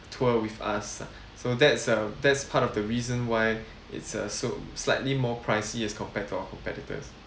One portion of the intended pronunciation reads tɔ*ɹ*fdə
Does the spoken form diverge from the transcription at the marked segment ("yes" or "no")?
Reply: yes